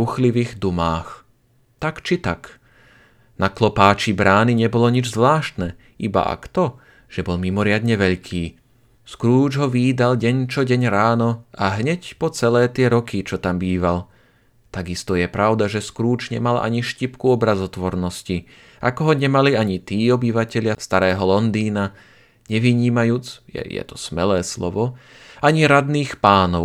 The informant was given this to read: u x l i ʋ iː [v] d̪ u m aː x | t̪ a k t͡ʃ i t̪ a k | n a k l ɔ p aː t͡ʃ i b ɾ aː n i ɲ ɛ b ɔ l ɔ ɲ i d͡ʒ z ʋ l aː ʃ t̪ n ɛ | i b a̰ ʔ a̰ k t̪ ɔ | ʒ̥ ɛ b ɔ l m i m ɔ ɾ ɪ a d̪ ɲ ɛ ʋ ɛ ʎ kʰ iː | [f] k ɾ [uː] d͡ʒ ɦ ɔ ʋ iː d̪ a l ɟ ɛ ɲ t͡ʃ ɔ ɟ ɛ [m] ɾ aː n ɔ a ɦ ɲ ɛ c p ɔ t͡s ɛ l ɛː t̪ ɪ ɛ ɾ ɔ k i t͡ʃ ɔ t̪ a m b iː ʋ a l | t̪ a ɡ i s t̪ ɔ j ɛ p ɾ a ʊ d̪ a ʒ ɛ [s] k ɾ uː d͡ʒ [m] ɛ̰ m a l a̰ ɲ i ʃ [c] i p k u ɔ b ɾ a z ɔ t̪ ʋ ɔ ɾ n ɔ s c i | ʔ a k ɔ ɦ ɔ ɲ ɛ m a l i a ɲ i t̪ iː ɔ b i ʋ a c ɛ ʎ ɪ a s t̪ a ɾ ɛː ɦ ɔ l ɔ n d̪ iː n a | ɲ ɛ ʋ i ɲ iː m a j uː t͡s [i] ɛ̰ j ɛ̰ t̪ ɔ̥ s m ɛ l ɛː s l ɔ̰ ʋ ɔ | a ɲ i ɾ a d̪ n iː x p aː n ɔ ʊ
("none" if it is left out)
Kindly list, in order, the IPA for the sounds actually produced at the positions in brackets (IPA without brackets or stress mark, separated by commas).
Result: ɣ, s, uː, ɲ, s, ɲ, c, j